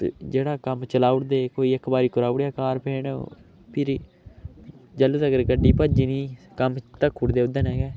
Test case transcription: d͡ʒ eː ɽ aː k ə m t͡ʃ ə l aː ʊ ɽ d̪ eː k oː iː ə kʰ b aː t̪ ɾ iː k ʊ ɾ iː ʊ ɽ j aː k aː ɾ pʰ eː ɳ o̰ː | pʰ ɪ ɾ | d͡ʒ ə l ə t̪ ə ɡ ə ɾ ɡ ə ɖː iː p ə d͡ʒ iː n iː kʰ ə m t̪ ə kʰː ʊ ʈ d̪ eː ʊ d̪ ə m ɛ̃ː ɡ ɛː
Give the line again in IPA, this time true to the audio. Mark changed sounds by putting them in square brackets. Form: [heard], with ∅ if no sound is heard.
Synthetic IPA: d͡ʒ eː ɽ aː k ə m t͡ʃ ə l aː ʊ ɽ d̪ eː k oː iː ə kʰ b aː [∅] ɾ iː k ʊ ɾ [aː] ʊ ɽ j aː k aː ɾ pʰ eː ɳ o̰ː | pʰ ɪ ɾ | d͡ʒ ə l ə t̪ ə ɡ ə ɾ ɡ ə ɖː iː p ə d͡ʒ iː n iː [k] ə m t̪ ə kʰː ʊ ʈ d̪ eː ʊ d̪ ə [n] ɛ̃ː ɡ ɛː